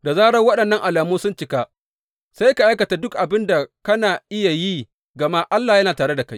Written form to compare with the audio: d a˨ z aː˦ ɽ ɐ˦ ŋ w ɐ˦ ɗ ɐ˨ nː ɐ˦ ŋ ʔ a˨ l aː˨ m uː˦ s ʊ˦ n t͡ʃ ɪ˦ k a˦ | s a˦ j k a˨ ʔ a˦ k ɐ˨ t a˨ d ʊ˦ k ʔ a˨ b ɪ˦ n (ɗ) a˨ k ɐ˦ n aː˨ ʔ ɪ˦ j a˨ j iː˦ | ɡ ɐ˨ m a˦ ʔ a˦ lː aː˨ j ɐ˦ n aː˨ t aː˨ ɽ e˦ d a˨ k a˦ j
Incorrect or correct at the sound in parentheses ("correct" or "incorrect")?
incorrect